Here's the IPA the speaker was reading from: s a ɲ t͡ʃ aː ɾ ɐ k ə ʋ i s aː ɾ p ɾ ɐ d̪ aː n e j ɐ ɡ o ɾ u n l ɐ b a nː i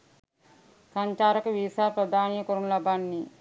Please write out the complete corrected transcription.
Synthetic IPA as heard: s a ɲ t͡ʃ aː ɾ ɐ k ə ʋ i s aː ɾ p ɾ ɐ d̪ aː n i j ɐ k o ɾ u n l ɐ b a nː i